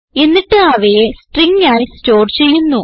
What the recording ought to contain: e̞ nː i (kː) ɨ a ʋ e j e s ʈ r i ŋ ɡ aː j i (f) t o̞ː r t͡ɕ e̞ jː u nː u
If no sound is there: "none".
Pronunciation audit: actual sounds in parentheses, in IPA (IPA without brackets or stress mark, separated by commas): ʈː, s